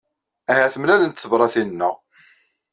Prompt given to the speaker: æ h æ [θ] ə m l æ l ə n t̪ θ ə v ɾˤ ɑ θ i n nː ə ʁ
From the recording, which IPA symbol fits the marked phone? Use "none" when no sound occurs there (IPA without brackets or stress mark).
θ